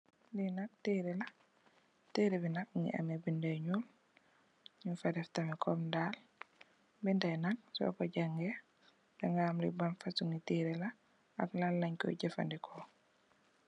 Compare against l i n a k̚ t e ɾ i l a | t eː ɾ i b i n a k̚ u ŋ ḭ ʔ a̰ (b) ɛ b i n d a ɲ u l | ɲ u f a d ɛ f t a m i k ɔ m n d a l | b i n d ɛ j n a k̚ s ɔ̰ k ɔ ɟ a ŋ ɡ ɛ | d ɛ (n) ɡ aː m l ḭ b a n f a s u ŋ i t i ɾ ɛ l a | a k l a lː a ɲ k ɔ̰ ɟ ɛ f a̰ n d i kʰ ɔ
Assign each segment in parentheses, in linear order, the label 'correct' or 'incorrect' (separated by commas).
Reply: incorrect, incorrect